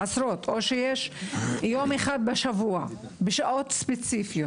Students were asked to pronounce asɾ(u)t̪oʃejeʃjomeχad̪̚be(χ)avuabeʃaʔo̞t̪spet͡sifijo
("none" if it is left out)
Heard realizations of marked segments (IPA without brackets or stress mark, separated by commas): o, ʃ